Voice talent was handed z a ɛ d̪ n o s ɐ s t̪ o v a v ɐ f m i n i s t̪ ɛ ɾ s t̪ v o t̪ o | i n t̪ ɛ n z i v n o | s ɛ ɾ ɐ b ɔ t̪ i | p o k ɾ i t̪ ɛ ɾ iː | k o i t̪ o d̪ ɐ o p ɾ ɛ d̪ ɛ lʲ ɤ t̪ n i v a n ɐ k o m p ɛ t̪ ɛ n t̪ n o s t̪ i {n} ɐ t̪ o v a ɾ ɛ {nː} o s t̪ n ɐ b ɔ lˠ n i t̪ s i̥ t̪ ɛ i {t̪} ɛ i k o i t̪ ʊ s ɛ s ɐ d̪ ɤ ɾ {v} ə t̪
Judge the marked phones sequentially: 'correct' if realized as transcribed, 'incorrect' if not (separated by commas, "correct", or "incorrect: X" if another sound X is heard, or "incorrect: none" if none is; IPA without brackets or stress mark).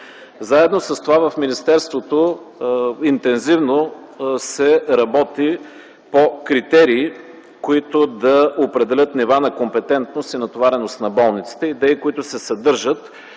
correct, incorrect: n, incorrect: d̪, incorrect: ʒ